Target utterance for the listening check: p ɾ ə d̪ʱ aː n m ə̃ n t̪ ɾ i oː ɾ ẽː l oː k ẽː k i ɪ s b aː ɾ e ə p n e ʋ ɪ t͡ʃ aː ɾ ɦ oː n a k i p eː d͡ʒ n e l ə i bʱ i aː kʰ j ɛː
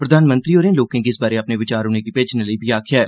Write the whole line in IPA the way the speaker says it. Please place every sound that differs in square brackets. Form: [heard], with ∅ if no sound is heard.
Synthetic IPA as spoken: p ɾ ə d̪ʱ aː n m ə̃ n t̪ ɾ i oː ɾ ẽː l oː k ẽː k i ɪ s b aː ɾ e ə p n e ʋ ɪ t͡ʃ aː ɾ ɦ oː n [e] k i p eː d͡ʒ n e l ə i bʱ i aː kʰ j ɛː